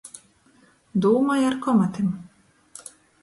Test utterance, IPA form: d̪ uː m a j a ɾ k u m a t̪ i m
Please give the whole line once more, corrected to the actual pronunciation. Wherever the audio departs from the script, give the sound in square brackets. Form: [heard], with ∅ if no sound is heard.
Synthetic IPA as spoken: d̪ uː m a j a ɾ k [ɔ] m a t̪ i m